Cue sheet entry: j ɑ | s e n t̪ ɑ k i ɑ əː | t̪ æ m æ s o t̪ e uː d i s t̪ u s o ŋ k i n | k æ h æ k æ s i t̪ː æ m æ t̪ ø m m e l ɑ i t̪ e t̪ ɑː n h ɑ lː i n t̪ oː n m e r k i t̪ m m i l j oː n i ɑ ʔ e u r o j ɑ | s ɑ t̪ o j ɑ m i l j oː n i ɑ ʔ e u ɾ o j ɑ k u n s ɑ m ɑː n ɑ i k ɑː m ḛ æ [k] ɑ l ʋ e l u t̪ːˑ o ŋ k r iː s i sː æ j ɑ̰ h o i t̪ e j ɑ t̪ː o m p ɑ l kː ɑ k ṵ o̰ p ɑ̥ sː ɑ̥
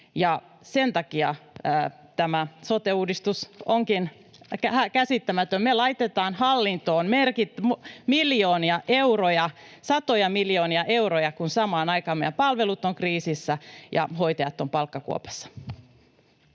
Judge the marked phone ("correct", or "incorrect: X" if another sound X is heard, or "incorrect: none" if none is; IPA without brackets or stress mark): incorrect: p